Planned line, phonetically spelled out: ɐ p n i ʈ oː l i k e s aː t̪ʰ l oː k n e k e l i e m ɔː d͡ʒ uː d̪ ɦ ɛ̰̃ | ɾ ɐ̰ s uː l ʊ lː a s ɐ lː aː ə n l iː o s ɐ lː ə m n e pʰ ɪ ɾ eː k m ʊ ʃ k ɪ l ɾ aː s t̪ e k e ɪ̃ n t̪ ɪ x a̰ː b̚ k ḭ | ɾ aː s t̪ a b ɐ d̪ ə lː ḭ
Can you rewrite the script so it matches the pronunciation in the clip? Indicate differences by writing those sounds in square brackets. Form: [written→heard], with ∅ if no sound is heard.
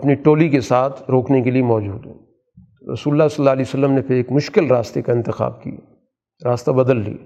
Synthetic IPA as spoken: ɐ p n i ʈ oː l i k e s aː t̪ʰ [l→ɾ] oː k n e k e l i e m ɔː d͡ʒ uː d̪ ɦ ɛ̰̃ | ɾ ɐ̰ s uː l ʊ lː a s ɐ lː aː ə [n→∅] l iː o s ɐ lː ə m n e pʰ ɪ ɾ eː k m ʊ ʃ k ɪ l ɾ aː s t̪ e k [e→a] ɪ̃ n t̪ ɪ x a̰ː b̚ k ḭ | ɾ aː s t̪ a b ɐ d̪ ə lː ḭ